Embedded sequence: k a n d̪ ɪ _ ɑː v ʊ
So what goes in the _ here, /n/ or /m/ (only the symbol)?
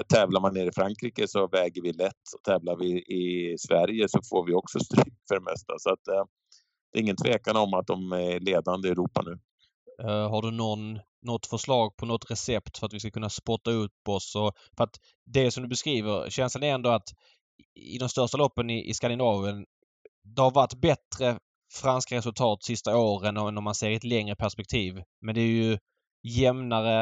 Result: n